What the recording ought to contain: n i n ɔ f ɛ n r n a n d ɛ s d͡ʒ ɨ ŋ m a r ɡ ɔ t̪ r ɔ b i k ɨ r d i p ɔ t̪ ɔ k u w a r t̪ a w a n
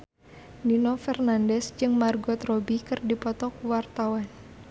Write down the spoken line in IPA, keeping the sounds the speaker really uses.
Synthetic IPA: n i n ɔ f ɛ r n a n d ɛ s d͡ʒ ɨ ŋ m a r ɡ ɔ t̪ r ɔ b i k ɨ r d i p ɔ t̪ ɔ k u w a r t̪ a w a n